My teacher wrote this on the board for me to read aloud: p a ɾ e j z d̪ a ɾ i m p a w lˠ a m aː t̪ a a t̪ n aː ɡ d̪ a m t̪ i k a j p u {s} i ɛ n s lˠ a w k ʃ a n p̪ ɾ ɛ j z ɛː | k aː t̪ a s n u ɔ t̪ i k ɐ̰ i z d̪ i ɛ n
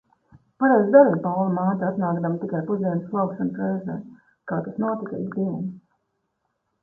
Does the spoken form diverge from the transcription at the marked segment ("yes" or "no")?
yes